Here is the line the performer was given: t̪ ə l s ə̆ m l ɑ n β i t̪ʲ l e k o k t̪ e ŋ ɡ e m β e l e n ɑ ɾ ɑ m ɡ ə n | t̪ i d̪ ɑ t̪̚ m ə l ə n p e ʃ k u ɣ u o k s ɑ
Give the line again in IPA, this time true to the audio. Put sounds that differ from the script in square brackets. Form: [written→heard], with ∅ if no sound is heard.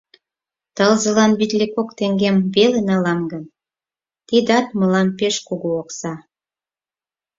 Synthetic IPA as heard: t̪ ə l [s→z] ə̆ [m→∅] l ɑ n β i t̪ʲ l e k o k t̪ e ŋ ɡ e m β e l e n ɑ [ɾ→l] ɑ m ɡ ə n | t̪ i d̪ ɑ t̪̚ m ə l [ə→ɑ] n p e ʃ k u ɣ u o k s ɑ